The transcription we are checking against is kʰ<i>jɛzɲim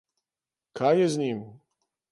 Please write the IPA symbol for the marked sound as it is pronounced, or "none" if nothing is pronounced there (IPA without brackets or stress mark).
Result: a